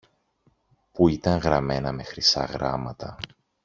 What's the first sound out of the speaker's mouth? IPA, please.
p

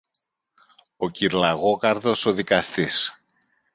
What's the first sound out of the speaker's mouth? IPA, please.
o̞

